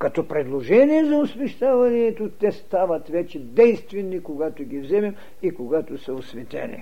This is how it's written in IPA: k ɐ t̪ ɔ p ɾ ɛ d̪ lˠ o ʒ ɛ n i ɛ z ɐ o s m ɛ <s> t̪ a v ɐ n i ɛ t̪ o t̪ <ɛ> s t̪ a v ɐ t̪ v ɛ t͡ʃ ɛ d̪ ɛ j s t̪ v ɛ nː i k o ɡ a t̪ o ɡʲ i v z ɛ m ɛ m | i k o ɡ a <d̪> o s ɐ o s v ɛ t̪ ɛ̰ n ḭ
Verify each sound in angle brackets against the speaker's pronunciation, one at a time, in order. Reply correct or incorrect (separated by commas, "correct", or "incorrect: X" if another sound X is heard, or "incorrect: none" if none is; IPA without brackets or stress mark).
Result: incorrect: ʃ, correct, incorrect: t̪